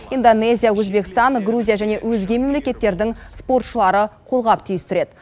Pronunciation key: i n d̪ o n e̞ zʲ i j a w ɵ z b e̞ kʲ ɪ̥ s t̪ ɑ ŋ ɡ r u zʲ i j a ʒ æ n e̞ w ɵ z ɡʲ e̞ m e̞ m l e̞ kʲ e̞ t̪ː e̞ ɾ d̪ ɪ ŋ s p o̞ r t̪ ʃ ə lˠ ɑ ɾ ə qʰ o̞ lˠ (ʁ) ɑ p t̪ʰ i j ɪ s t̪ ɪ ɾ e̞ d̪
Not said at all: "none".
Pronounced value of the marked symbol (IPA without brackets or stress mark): ʁ